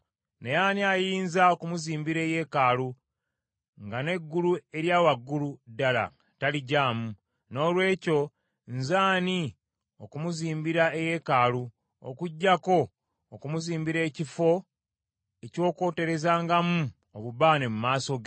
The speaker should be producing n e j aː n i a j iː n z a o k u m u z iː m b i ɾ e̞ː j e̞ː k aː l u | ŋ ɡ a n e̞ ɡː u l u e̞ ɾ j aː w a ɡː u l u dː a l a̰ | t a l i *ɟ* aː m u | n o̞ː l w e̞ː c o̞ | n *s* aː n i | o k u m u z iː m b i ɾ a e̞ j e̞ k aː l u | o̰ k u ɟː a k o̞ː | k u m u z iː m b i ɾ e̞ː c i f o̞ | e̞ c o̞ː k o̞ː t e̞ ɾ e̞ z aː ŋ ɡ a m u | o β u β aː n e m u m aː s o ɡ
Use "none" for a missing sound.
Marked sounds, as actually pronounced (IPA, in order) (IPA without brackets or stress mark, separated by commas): ɟ, z